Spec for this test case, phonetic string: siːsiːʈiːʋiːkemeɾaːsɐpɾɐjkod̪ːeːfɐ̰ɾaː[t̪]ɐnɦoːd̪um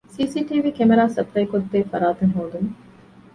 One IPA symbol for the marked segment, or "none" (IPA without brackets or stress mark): t̪